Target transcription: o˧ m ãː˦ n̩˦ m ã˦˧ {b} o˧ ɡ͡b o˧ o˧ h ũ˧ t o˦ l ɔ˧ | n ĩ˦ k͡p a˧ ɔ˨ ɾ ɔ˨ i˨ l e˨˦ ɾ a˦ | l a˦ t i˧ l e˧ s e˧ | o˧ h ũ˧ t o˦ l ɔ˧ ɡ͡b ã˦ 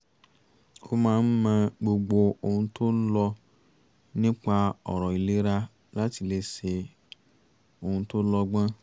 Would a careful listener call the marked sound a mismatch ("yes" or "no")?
yes